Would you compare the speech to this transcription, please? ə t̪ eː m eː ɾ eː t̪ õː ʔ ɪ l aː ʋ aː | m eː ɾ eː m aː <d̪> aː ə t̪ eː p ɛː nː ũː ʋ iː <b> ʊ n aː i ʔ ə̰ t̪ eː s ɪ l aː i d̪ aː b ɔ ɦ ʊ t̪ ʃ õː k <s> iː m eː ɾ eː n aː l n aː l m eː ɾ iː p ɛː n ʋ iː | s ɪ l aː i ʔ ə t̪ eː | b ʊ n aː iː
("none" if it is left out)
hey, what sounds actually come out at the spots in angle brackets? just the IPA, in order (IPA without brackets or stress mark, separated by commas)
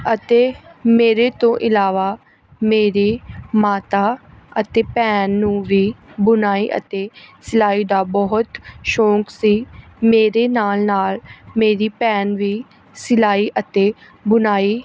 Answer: t̪, b, s